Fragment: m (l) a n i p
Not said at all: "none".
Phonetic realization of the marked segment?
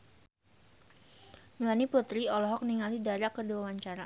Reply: l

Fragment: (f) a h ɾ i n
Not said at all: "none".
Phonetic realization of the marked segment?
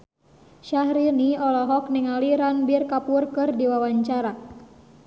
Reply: ʃ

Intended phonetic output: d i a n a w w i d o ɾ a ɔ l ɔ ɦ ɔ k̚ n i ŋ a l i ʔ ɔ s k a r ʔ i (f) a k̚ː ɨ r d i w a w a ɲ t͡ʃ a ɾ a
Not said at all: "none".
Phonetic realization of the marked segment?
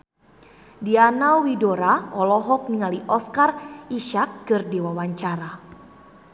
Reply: ʃ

